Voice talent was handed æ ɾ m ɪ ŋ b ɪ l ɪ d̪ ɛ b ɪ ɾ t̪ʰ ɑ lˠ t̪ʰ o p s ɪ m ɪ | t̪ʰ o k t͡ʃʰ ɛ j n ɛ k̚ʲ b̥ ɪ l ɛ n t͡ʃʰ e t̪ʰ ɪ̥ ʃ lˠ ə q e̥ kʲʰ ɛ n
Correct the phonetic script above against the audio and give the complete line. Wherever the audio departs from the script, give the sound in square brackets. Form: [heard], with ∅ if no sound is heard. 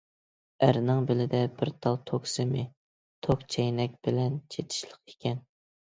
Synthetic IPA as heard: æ ɾ [n] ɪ ŋ b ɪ l ɪ d̪ ɛ b ɪ ɾ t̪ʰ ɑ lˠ t̪ʰ o [k] s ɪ m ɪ | t̪ʰ o k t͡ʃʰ ɛ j n ɛ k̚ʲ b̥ ɪ l ɛ n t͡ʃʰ e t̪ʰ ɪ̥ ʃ lˠ ə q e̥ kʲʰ ɛ n